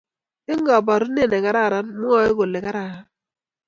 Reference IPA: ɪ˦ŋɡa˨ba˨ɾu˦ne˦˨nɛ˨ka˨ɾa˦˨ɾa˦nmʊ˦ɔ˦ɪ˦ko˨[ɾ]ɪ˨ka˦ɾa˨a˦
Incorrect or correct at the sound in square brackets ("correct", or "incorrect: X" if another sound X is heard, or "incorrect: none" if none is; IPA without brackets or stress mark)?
incorrect: l